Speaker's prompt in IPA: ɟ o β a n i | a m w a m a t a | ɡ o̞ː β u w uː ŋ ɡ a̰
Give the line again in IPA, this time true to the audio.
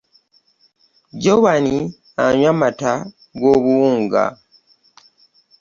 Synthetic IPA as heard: ɟ o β a n i | a ɲ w a m a t a | ɡ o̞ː β u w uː ŋ ɡ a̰